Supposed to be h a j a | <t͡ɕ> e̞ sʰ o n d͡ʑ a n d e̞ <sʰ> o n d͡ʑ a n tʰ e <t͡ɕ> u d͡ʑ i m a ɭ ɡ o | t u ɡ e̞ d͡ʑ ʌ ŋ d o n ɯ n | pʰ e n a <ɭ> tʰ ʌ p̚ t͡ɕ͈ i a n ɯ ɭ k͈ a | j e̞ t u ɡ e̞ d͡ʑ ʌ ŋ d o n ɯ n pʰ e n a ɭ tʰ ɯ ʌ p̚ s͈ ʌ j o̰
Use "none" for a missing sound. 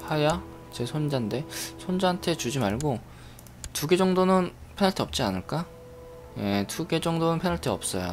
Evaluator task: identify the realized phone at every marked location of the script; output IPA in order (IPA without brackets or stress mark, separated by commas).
t͡ɕ, sʰ, t͡ɕ, ɭ